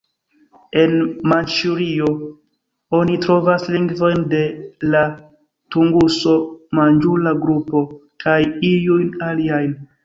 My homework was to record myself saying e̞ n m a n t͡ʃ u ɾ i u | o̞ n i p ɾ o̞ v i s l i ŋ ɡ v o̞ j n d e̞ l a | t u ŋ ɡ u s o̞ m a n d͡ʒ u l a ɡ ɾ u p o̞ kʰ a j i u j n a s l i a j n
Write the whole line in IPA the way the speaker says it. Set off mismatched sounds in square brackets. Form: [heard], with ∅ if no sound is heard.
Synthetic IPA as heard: e̞ n m a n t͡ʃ u ɾ i [o] | o̞ n i [t] ɾ o̞ v [a] s l i ŋ ɡ v o̞ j n d e̞ l a | t u ŋ ɡ u s o̞ m a n d͡ʒ u l a ɡ ɾ u p o̞ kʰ a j i u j n a [∅] l i a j n